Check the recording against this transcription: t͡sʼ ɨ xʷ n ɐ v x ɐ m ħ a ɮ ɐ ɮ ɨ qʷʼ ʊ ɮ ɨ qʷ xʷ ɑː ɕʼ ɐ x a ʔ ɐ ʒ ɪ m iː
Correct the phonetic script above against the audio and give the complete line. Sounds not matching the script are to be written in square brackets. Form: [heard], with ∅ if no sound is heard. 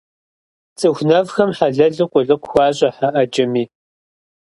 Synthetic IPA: t͡sʼ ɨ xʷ n ɐ v x ɐ m ħ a ɮ ɐ ɮ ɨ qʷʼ ʊ ɮ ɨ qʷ xʷ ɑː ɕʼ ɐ [ħ] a ʔ ɐ [d͡ʒ] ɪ m iː